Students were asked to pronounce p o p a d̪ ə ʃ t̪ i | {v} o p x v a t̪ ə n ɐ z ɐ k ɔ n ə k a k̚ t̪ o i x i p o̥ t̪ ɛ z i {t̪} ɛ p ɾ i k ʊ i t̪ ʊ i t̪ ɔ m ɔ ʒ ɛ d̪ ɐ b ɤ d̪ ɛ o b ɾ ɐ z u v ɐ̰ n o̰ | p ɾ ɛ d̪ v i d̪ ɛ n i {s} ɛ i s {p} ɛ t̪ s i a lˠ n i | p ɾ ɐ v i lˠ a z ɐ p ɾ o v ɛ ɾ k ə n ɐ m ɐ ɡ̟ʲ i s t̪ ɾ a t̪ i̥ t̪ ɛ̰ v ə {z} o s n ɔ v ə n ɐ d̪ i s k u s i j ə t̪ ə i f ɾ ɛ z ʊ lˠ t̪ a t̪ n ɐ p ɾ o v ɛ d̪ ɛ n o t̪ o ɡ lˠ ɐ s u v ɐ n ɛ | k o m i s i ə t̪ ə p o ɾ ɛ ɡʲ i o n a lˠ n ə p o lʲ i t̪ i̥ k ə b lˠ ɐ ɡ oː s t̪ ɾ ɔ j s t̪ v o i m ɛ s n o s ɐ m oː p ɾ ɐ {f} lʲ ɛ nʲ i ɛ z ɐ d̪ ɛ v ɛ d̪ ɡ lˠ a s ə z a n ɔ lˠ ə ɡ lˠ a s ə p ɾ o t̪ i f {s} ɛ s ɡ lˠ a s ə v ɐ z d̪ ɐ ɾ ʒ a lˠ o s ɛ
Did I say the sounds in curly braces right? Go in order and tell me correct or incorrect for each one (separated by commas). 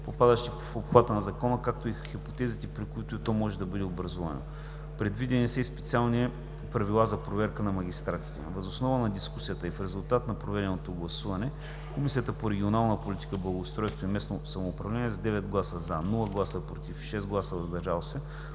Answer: incorrect, correct, correct, correct, correct, incorrect, incorrect